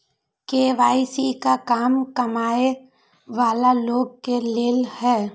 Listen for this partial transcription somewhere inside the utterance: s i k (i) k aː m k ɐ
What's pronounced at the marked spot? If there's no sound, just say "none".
a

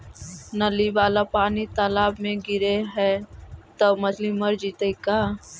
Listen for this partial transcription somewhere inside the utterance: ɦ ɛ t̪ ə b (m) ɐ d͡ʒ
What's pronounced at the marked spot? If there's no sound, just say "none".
m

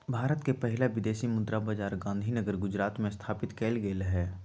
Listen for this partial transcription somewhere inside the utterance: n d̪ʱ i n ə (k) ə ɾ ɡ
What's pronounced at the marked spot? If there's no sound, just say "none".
ɡ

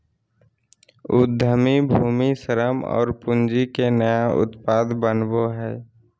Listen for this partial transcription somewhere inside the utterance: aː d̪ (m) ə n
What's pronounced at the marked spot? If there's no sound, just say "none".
b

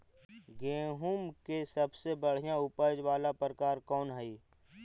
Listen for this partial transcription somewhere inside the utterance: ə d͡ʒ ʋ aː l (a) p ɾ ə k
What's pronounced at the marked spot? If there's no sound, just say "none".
a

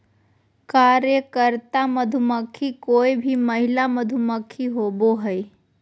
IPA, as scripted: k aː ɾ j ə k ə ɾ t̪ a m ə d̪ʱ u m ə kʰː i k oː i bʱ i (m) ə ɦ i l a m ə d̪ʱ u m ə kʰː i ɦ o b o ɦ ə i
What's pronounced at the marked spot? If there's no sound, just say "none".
m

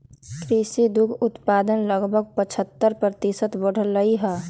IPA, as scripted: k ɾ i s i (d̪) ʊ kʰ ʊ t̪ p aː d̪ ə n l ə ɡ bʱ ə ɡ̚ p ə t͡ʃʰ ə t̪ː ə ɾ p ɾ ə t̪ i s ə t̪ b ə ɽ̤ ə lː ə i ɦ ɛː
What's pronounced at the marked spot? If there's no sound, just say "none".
d̪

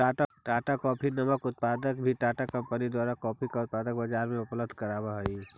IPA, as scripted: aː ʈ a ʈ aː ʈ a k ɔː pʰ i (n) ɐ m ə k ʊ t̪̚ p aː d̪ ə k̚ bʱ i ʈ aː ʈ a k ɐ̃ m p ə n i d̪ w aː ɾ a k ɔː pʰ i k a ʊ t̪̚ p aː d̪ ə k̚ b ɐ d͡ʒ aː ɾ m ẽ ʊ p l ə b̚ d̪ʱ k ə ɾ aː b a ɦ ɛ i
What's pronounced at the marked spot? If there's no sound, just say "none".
n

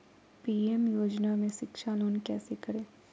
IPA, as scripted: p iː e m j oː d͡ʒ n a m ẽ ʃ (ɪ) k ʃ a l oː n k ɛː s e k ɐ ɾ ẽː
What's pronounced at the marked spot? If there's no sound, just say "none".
ɪ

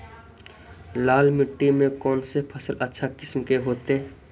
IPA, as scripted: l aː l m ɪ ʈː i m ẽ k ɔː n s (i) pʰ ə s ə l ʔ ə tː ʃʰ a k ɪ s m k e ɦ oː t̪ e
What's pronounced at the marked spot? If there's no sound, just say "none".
e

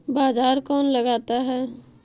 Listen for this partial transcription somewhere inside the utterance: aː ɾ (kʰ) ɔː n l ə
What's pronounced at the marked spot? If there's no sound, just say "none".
k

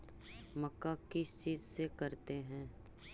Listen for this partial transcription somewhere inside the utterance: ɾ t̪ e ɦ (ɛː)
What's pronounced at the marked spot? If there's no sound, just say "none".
ɛ̃ː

